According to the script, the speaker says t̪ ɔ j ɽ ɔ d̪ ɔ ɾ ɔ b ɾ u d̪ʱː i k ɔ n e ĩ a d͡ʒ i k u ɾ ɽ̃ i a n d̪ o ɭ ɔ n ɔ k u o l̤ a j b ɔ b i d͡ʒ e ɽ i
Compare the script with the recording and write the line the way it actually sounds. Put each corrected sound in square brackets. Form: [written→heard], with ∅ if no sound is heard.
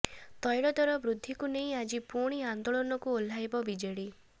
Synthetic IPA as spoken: t̪ ɔ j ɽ ɔ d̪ ɔ ɾ ɔ b ɾ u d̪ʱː i k [ɔ→u] n e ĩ a d͡ʒ i [k→p] u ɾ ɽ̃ i a n d̪ o ɭ ɔ n ɔ k u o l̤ a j b ɔ b i d͡ʒ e ɽ i